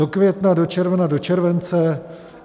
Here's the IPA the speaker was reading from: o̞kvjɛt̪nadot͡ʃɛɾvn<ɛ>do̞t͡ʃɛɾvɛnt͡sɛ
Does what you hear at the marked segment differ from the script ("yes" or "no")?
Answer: yes